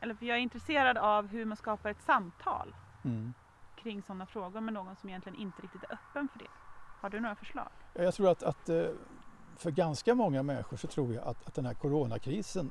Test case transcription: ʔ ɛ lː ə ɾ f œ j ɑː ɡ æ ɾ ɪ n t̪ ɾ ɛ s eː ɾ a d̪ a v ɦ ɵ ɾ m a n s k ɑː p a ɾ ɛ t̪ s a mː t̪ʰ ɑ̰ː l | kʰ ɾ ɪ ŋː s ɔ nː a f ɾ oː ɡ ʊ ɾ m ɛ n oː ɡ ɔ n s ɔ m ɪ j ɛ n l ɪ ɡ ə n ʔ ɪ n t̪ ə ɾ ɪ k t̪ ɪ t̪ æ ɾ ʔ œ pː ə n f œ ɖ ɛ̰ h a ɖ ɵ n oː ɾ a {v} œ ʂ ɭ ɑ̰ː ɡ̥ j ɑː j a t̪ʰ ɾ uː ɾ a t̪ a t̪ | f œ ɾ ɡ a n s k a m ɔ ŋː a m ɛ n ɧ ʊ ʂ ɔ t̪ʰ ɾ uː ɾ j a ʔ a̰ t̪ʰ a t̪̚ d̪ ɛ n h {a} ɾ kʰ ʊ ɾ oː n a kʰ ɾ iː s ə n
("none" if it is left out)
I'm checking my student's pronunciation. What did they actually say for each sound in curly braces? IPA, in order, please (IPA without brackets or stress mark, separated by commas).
f, æ